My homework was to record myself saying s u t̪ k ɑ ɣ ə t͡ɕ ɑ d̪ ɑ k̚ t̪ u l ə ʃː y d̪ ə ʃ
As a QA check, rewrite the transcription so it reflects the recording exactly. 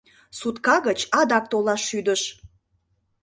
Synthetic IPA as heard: s u t̪ k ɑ ɣ ə t͡ɕ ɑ d̪ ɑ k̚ t̪ o l ɑ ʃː y d̪ ə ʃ